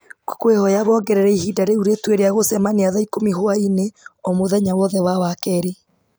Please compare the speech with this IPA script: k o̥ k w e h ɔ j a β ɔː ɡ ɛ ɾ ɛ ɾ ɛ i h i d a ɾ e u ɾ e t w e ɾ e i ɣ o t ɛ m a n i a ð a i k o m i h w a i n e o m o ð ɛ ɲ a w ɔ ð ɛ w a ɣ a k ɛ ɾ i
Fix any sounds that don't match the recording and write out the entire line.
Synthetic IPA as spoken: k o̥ k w e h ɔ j a β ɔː ɡ ɛ ɾ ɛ ɾ ɛ i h i d a ɾ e u ɾ e t w e ɾ e a ɣ o s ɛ m a n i a ð a i k o m i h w a i n e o m o ð ɛ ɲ a w ɔ ð ɛ w a w a k ɛ ɾ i